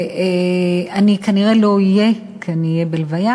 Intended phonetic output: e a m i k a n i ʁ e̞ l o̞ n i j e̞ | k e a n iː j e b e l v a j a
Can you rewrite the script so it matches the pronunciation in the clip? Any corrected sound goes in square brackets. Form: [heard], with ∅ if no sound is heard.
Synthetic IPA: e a [n] i k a n i ʁ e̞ l o̞ [∅] i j e̞ | k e a n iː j e b e l v a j a